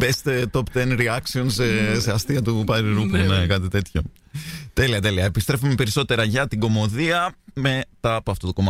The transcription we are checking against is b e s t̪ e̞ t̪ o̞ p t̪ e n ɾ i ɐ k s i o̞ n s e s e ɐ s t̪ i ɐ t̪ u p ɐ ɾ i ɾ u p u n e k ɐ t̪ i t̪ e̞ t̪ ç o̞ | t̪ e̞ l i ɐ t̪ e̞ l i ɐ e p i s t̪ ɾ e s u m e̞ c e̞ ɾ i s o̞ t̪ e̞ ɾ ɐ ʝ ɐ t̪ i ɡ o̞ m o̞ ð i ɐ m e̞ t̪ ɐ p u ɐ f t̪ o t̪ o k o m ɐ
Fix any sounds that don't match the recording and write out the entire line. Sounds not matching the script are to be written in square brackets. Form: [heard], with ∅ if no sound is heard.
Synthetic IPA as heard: b e s t̪ e̞ t̪ o̞ p t̪ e n ɾ i ɐ k s i o̞ n s e s e ɐ s t̪ i ɐ t̪ u p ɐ ɾ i ɾ u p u n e k ɐ t̪ i t̪ e̞ t̪ ç o̞ | t̪ e̞ l i ɐ t̪ e̞ l i ɐ e p i s t̪ ɾ e [f] u m e̞ [p] e̞ ɾ i s o̞ t̪ e̞ ɾ ɐ ʝ ɐ t̪ i ɡ o̞ m o̞ ð i ɐ m e̞ t̪ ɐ p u ɐ f t̪ o t̪ o k o m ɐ